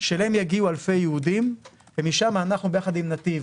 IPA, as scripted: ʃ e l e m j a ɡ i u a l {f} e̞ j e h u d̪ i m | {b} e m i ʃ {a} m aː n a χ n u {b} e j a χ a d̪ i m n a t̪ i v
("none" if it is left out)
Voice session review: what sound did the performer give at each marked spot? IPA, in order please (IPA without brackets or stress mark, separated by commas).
f, v, a, b